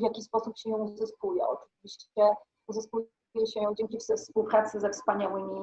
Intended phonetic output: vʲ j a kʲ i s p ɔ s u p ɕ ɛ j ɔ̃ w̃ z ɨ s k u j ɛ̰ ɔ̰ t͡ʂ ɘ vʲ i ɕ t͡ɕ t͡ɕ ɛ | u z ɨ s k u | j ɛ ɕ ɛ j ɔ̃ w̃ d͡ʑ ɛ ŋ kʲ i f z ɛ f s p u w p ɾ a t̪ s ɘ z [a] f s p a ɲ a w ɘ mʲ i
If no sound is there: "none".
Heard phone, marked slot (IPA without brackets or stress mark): ɛ